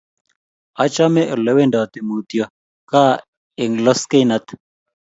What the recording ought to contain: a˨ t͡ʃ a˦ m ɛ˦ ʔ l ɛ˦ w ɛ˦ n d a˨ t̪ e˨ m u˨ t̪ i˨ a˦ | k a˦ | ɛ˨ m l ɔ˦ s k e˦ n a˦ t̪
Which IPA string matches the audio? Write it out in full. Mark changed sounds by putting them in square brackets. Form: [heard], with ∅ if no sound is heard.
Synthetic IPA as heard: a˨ t͡ʃ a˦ m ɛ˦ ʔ l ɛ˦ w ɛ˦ n d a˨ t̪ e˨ m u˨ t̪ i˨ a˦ | k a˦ | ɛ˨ [ŋ] l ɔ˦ s k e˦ n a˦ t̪

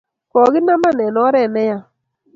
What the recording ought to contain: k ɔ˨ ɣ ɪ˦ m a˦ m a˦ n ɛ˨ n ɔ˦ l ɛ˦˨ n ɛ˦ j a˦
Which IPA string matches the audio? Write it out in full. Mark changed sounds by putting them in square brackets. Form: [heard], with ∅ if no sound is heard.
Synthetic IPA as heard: k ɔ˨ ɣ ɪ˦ [n] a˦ m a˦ n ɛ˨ n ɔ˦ [ɾ] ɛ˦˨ n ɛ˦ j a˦

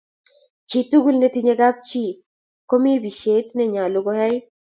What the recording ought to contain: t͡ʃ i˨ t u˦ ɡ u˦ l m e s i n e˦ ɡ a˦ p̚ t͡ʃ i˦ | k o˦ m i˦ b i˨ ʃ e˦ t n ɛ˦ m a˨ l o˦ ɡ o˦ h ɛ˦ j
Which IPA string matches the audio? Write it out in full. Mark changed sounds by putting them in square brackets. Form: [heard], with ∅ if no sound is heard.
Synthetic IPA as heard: t͡ʃ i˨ t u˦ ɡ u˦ l [n] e [t] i [ɲ] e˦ ɡ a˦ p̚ t͡ʃ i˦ | k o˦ m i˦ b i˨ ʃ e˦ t n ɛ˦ [ɲ] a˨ l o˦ ɡ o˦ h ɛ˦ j

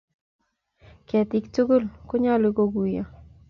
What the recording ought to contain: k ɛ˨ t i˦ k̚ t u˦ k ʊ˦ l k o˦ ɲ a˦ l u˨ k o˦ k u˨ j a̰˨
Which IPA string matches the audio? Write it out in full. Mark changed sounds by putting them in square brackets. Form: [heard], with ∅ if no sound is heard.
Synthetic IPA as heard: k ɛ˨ t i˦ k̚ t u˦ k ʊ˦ l k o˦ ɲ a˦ l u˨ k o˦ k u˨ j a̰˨

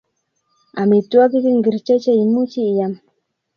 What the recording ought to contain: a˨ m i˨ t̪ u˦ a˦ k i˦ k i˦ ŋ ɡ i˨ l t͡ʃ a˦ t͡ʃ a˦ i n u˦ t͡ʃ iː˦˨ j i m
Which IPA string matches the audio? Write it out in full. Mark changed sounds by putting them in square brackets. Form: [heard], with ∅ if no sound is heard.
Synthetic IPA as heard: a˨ m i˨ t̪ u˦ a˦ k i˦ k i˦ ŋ ɡ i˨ [ɾ] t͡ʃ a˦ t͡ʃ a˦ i [m] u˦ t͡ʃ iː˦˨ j [a] m

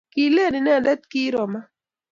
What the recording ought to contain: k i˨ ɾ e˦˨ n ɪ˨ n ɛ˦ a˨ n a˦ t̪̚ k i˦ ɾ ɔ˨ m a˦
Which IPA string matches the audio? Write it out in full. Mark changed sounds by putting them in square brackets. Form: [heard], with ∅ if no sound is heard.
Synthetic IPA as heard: k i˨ [l] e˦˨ n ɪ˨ n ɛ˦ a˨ [d] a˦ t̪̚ k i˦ ɾ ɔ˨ m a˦

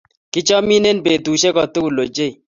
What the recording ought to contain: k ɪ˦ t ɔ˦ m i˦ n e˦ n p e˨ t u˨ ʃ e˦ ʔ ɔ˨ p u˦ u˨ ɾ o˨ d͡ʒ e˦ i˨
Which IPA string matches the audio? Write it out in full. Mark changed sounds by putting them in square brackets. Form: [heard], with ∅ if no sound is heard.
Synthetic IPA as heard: k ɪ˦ [t͡ʃ] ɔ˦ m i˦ n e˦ n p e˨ t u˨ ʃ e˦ [k] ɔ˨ [t] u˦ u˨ [l] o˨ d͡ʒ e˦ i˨

